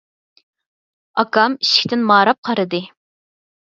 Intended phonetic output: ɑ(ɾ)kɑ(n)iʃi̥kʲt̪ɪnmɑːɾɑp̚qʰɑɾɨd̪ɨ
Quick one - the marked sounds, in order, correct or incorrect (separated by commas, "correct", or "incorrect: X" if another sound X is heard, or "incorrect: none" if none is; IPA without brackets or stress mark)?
incorrect: none, incorrect: m